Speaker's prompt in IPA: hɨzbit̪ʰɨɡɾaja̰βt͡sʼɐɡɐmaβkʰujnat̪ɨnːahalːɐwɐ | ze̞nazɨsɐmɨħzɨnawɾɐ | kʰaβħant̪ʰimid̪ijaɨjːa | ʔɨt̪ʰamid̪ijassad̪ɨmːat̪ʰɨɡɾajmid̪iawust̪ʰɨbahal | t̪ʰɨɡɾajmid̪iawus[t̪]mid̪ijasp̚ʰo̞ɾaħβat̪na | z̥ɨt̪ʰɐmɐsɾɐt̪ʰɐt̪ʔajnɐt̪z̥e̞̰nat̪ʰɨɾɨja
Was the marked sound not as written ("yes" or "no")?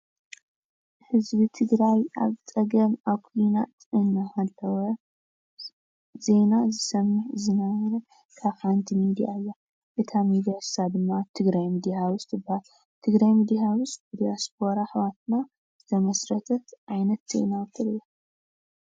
no